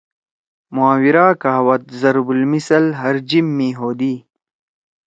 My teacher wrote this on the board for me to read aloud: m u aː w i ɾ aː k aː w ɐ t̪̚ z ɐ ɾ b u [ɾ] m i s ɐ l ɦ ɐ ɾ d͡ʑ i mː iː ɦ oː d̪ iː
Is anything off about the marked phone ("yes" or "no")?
yes